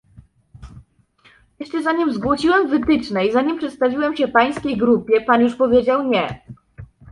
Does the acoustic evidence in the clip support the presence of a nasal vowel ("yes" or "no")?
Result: no